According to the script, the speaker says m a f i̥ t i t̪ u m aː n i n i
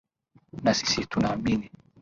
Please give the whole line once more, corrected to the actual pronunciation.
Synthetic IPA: n a s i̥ s i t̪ u n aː m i n i